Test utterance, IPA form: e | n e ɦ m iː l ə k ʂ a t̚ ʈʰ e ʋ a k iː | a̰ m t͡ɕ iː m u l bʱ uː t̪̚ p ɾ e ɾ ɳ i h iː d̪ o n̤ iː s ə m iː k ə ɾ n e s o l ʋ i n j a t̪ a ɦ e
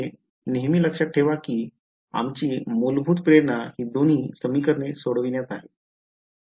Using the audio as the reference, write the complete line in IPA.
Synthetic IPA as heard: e | n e ɦ m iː l ə k ʂ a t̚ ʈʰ e ʋ a k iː | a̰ m t͡ɕ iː m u l bʱ uː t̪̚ p ɾ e ɾ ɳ a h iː d̪ o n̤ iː s ə m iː k ə ɾ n e s o ɽ ʋ i n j a t̪ a ɦ e